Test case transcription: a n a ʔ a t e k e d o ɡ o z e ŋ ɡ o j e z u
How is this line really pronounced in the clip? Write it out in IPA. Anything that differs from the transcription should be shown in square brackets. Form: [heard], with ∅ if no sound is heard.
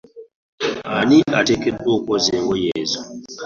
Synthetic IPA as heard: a n [i] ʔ a t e k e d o [k] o z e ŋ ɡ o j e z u